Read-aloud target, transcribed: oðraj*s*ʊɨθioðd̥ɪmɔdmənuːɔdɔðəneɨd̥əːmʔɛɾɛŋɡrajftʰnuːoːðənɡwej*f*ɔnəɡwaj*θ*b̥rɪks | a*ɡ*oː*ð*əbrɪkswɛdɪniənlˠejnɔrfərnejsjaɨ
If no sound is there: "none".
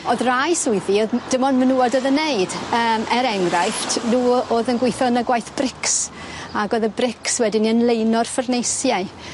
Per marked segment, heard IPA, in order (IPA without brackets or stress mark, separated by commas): s, θ, θ, ɡ, ð